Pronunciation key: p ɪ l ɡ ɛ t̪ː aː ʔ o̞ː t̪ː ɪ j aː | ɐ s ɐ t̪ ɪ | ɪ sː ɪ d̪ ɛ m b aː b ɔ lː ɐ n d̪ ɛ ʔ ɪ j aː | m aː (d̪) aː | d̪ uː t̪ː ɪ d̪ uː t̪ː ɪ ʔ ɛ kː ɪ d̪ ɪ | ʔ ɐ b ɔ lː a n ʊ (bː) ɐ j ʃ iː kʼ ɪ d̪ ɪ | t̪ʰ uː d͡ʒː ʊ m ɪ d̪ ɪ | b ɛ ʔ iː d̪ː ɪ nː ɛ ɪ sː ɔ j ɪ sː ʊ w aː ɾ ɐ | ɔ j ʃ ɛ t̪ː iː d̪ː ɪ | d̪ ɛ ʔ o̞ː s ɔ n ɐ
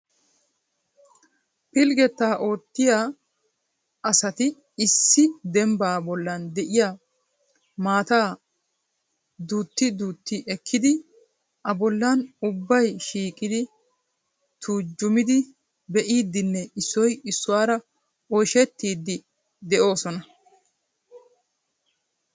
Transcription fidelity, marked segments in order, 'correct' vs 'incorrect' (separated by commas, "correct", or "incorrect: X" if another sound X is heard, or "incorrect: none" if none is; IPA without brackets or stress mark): incorrect: t̪, correct